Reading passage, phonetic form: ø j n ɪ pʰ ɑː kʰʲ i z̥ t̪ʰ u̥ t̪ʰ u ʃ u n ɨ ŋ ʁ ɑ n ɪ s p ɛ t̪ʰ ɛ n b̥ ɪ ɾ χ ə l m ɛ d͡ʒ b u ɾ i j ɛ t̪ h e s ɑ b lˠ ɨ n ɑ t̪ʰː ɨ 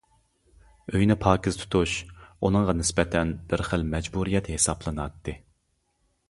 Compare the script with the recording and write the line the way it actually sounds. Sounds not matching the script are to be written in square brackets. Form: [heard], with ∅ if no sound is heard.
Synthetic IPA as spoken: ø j n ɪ pʰ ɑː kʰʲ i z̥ t̪ʰ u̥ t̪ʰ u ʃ u n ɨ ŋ ʁ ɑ n ɪ s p ɛ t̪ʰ ɛ n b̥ ɪ ɾ χ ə l m ɛ d͡ʒ b u ɾ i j ɛ t̪ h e s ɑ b lˠ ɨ n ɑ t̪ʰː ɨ